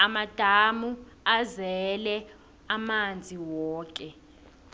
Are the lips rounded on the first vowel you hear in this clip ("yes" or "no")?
no